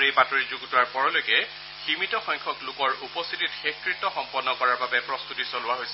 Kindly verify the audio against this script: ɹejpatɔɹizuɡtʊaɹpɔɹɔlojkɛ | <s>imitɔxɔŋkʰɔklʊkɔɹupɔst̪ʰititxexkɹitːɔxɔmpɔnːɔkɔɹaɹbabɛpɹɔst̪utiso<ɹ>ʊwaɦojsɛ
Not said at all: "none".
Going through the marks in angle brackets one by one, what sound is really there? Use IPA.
x, l

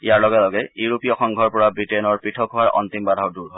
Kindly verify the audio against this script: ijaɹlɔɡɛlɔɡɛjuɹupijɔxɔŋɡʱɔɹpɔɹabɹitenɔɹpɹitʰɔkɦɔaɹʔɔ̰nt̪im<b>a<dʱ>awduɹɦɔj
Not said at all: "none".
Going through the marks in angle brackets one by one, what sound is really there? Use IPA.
b, dʱ

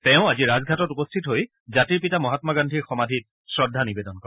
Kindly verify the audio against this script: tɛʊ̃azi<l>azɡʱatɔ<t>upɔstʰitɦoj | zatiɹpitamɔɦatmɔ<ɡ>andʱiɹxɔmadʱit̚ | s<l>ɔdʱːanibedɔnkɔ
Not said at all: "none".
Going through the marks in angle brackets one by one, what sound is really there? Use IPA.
ɹ, t, ɡ, ɹ

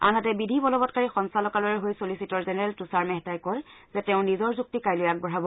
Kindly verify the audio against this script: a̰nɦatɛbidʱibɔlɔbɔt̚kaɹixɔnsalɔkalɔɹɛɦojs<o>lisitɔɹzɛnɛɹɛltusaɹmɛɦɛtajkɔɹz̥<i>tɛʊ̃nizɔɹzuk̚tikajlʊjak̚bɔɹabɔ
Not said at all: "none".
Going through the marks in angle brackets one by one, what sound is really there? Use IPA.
o, ɛ

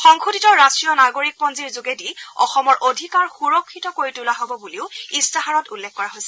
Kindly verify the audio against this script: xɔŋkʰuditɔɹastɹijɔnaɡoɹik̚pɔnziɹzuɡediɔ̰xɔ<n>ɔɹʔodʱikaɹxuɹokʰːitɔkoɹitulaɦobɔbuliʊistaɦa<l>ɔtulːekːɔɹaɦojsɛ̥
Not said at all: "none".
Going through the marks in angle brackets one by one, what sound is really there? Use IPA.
m, ɹ

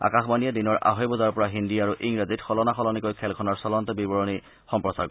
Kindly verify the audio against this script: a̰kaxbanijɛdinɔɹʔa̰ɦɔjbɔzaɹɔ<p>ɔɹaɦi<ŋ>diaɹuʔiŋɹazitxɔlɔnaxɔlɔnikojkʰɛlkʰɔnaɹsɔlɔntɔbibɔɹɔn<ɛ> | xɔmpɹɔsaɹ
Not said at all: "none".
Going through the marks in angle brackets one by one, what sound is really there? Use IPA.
p, n, i

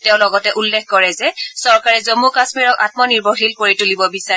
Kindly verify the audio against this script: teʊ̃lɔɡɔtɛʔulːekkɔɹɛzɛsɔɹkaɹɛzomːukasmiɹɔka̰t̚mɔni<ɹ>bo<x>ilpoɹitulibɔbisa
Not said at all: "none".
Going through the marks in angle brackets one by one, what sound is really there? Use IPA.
ɹ, x

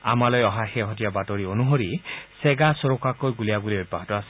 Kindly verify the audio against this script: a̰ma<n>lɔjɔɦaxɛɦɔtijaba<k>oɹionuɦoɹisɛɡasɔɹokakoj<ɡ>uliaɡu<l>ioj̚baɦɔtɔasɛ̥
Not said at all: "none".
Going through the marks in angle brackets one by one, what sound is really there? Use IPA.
none, t, ɡ, l

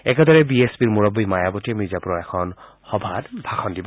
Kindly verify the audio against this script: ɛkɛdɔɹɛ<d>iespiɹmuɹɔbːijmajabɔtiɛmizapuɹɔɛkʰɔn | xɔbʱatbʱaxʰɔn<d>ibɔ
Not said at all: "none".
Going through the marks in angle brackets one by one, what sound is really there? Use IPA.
b, d

